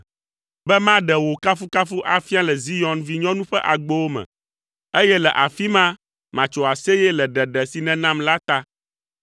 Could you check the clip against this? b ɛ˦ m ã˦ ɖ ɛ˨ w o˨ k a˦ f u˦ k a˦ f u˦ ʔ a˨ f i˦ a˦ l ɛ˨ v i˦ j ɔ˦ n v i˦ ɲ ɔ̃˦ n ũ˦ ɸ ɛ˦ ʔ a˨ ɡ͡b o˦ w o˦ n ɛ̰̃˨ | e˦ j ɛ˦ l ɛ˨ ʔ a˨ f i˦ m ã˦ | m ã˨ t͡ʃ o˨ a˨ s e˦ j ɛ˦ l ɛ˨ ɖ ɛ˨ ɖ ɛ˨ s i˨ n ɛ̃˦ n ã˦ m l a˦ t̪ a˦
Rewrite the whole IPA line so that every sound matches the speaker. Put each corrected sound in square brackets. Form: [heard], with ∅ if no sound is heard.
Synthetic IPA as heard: b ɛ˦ m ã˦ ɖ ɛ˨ w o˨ k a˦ f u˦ k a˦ f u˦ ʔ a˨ f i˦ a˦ l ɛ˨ [z] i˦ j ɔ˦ n v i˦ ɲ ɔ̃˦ n ũ˦ ɸ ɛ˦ ʔ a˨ ɡ͡b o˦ w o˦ [m] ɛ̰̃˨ | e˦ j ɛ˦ l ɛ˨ ʔ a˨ f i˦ m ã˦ | m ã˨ t͡ʃ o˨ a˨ s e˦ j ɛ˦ l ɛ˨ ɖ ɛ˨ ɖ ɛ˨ s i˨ n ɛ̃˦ n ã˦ m l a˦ t̪ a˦